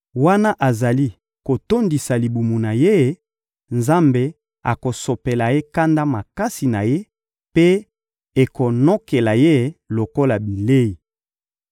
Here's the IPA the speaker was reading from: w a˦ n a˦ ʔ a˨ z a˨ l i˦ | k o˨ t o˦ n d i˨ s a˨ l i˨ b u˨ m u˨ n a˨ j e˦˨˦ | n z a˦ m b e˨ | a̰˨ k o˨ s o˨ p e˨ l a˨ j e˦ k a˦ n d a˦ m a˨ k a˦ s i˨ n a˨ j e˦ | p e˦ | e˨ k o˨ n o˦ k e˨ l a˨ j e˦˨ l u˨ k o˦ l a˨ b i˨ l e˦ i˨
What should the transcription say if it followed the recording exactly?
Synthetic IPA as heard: w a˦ n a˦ ʔ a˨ z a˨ l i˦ | k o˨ t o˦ n d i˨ s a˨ l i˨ b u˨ m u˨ n a˨ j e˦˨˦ | n z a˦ m b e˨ | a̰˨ k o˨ s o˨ p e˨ l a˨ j e˦ k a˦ n d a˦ m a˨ k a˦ s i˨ n a˨ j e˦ | p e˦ | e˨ k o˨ n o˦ k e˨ l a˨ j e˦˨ l o˨ k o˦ l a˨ b i˨ l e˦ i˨

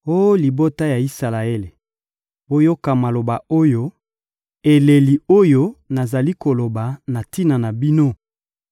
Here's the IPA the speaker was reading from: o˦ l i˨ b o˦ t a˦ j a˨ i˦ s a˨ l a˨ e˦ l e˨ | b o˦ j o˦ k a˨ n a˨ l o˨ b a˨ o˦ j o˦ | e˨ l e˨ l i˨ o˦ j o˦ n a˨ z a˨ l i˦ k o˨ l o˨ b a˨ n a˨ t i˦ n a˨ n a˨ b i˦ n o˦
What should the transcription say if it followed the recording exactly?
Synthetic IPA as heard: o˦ l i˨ b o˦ t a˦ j a˨ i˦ s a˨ l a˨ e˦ l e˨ | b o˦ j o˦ k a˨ m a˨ l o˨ b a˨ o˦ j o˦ | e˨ l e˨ l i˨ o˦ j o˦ n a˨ z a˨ l i˦ k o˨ l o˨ b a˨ n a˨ t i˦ n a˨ n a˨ b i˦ n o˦

